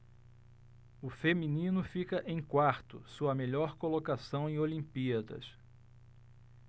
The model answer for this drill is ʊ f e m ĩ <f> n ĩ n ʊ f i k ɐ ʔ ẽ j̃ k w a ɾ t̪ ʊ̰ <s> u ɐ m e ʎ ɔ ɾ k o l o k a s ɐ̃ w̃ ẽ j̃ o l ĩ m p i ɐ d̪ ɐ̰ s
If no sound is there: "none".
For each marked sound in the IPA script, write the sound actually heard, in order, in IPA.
none, s

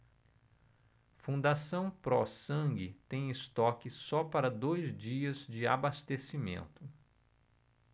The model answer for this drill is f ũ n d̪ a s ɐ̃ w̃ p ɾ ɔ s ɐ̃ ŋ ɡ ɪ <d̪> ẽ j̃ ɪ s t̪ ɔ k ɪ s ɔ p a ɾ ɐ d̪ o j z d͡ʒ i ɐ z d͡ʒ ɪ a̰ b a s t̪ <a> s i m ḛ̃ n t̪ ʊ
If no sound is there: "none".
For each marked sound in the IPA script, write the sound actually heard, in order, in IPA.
t̪, e

